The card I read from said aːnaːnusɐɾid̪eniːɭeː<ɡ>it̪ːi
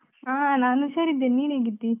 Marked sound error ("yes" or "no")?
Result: no